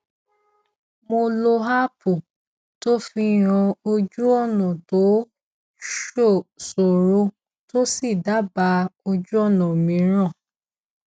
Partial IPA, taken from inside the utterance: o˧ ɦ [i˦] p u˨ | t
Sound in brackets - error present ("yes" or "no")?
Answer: yes